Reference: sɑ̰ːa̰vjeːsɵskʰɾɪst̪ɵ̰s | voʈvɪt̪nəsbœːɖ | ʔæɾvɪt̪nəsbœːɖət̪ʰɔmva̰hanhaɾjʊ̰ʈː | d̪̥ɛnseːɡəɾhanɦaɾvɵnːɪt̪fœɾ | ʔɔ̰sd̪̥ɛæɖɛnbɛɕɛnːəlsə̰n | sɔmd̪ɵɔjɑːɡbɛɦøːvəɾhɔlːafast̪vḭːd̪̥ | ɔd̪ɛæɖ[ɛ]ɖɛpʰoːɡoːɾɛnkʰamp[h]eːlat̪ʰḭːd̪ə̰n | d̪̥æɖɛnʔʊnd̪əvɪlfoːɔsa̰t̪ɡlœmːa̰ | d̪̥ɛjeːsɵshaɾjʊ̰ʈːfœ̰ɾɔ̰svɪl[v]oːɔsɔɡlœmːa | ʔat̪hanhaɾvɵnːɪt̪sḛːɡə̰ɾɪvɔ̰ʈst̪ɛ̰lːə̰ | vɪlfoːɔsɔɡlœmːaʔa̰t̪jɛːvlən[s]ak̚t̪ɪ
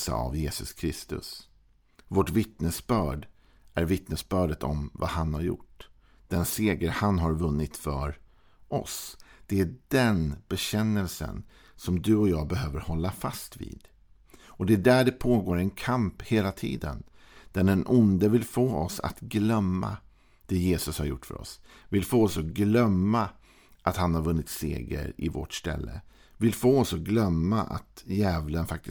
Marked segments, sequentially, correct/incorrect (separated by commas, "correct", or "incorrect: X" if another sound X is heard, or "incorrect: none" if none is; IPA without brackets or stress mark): incorrect: æ, correct, incorrect: f, incorrect: f